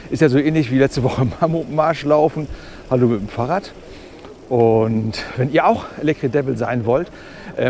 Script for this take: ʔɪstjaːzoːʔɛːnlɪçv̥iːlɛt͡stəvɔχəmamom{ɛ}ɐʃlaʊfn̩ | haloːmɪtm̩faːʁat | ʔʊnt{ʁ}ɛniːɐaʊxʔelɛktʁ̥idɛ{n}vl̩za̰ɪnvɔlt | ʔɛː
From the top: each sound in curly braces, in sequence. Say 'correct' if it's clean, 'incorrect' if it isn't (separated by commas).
incorrect, incorrect, incorrect